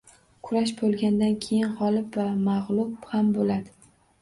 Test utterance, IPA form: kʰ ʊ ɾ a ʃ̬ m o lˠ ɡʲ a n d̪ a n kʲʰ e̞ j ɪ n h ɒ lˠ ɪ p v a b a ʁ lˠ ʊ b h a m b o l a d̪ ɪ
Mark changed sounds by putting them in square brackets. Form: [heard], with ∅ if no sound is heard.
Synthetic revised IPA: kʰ ʊ ɾ a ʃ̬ [b] o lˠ ɡʲ a n d̪ a n kʲʰ e̞ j ɪ n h ɒ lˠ ɪ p v a [m] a ʁ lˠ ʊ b h a m b o l a d̪ ɪ

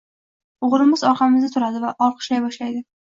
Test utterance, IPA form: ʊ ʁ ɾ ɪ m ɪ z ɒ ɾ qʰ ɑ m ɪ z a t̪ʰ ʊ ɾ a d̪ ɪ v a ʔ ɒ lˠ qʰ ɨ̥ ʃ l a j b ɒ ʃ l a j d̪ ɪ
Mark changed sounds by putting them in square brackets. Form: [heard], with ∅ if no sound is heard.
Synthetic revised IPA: ʊ ʁ ɾ ɪ m ɪ z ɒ ɾ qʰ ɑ m ɪ z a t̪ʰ ʊ ɾ a d̪ ɪ v a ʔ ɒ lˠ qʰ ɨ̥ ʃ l a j b ɒ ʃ l a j d̪ ɪ

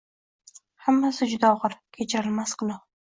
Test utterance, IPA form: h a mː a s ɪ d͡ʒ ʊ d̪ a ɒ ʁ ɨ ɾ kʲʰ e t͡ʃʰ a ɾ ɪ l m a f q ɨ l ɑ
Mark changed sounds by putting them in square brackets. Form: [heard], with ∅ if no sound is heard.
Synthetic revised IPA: h a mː a s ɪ d͡ʒ ʊ d̪ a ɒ ʁ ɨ ɾ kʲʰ e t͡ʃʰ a ɾ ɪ l m a [s] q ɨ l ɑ

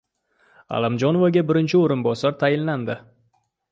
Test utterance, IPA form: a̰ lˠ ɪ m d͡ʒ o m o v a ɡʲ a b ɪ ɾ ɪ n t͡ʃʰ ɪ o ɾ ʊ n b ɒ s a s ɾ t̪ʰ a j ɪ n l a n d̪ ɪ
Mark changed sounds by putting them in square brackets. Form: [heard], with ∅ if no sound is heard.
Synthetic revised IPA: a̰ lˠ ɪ m d͡ʒ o [n] o v a ɡʲ a b ɪ ɾ ɪ n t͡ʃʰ ɪ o ɾ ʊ n b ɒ s a [∅] ɾ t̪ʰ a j ɪ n l a n d̪ ɪ

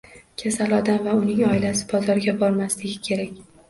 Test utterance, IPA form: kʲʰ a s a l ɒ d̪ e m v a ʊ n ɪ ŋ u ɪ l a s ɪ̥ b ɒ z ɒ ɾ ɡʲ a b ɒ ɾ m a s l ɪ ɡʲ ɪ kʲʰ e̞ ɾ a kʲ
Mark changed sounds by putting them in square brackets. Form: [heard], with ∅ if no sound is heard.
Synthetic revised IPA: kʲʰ a s a l ɒ d̪ [a] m v a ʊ n ɪ ŋ [ɒ] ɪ l a s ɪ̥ b ɒ z ɒ ɾ ɡʲ a b ɒ ɾ m a s l ɪ ɡʲ ɪ kʲʰ e̞ ɾ a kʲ

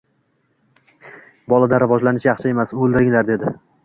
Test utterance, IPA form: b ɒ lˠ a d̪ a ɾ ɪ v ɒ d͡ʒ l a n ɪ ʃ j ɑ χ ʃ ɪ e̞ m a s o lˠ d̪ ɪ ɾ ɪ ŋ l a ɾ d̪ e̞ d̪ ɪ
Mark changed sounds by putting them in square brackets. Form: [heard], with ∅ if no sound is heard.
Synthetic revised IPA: b ɒ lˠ a d̪ a ɾ ɪ v ɒ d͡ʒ l a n ɪ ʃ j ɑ χ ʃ ɪ e̞ m a s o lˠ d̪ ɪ ɾ ɪ ŋ l a ɾ d̪ e̞ d̪ ɪ

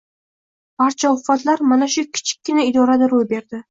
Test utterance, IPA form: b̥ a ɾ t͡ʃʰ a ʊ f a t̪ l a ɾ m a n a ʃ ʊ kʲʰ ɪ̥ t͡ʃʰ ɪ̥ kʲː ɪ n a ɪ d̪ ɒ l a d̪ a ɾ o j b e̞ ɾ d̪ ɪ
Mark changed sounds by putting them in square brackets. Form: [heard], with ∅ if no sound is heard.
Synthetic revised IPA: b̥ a ɾ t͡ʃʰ a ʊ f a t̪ l a ɾ m a n a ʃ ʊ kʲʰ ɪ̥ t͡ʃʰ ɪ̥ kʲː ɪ n a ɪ d̪ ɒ [ɾ] a d̪ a ɾ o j b e̞ ɾ d̪ ɪ

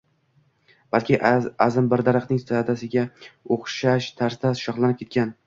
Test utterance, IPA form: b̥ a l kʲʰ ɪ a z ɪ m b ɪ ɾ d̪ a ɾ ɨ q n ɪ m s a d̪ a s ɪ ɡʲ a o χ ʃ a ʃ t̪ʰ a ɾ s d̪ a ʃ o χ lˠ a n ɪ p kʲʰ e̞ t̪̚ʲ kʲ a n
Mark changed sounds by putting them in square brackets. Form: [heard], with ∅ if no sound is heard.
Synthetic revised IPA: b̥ a l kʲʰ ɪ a z ɪ m b ɪ ɾ d̪ a ɾ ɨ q n ɪ [ŋ] s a d̪ a s ɪ ɡʲ a o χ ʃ a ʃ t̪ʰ a ɾ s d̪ a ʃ [ɒ] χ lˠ a n ɪ p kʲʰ e̞ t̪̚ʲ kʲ a n

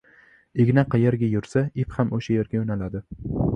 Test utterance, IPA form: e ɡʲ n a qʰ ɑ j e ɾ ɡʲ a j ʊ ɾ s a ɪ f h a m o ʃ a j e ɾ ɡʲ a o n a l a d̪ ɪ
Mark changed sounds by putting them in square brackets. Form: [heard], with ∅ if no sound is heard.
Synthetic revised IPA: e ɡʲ n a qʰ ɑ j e ɾ ɡʲ a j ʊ ɾ s a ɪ f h a m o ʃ a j e ɾ ɡʲ a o n a l a d̪ ɪ

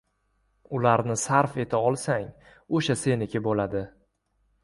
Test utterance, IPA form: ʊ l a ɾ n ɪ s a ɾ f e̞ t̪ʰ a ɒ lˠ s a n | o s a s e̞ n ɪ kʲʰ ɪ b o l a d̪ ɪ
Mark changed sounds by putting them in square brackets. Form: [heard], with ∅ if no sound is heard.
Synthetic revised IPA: ʊ l a ɾ n ɪ s a ɾ f e̞ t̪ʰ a ɒ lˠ s a [ŋ] | o [ʃ] a s e̞ n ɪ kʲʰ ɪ b o l a d̪ ɪ

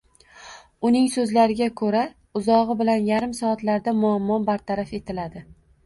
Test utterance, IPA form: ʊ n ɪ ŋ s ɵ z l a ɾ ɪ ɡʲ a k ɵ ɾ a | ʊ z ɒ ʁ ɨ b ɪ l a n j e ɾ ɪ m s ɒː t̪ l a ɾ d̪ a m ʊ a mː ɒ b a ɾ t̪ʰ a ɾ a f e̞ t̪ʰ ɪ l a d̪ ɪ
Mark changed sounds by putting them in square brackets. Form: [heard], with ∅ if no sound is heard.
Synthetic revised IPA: ʊ n ɪ ŋ s ɵ z l a ɾ ɪ ɡʲ a [kʰ] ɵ ɾ a | ʊ z ɒ ʁ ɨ b ɪ l a n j [a] ɾ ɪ m s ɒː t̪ l a ɾ d̪ a m ʊ a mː ɒ b a ɾ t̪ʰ a ɾ a f e̞ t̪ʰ ɪ l a d̪ ɪ

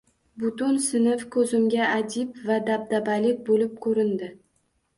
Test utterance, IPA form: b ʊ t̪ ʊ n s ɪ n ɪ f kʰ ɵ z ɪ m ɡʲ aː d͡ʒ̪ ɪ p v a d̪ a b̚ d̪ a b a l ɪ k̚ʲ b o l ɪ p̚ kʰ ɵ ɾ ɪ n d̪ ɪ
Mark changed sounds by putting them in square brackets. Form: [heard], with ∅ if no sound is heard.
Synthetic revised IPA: b ʊ t̪ ʊ n s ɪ n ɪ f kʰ ɵ z ɪ m ɡʲ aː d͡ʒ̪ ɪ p v a d̪ a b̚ d̪ a b a l ɪ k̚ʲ b o l ɪ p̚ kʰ ɵ ɾ ɪ n d̪ ɪ

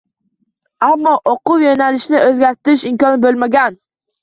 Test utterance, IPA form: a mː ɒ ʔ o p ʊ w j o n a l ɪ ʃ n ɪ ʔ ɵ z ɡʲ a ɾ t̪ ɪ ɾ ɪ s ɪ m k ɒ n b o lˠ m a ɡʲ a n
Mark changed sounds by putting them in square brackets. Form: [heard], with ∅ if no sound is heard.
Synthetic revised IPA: a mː ɒ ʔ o [q] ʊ w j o n a l ɪ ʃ n ɪ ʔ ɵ z ɡʲ a ɾ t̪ ɪ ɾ ɪ [ʃ] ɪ m k ɒ n b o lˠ m a ɡʲ a n

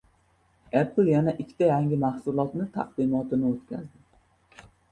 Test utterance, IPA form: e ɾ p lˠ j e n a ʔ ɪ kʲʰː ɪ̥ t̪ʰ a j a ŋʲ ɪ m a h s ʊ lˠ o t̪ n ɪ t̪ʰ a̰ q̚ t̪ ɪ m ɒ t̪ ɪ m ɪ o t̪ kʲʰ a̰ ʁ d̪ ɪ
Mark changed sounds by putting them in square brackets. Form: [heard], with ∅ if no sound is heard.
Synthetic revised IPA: e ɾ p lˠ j [a] n a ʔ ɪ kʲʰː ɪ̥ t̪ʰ a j a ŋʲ ɪ m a h s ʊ lˠ [ɒ] t̪ n ɪ t̪ʰ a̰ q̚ [d̪] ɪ m ɒ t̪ ɪ [n] ɪ o t̪ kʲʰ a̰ [z] d̪ ɪ

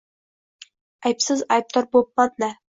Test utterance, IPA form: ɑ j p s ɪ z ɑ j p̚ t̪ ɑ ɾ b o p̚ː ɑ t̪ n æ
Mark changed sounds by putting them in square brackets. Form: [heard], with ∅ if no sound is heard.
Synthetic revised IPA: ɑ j p s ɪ z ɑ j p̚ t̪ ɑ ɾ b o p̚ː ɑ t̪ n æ

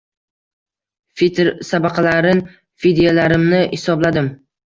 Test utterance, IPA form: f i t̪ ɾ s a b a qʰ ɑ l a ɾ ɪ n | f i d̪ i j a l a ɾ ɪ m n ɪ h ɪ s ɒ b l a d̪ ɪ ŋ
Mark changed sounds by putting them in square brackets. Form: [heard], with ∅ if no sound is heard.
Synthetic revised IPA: f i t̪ ɾ s a b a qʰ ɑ l a ɾ ɪ n | f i d̪ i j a l a ɾ ɪ m n ɪ h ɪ s ɒ b l a d̪ ɪ [m]

